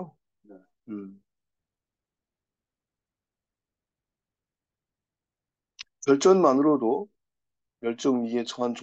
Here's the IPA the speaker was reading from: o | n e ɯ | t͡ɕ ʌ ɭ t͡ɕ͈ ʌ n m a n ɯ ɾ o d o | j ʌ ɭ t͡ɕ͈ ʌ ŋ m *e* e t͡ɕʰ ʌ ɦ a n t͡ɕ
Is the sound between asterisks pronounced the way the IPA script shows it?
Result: no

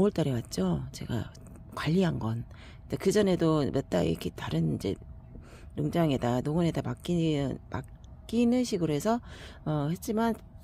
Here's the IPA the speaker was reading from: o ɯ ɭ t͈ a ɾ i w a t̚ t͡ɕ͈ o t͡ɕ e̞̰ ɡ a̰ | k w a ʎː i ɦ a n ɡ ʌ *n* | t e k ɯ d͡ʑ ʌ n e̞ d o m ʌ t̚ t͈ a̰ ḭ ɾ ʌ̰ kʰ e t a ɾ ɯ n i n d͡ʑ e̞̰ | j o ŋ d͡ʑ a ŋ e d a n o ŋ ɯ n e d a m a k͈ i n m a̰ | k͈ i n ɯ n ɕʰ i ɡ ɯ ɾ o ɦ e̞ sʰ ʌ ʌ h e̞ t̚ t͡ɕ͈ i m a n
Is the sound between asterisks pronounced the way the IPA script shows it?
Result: yes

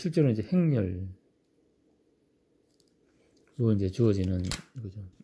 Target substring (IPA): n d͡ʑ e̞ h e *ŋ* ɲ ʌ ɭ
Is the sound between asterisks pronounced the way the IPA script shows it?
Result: yes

